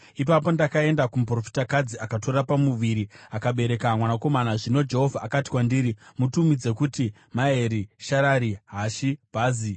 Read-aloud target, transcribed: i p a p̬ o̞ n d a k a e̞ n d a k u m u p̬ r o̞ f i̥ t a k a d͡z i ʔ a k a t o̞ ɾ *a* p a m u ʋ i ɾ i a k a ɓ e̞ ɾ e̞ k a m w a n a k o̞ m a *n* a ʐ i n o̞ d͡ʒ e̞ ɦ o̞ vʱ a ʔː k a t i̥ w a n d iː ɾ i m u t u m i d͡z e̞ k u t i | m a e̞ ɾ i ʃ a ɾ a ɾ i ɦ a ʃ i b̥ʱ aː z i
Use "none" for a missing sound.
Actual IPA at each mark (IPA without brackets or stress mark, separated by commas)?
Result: a, n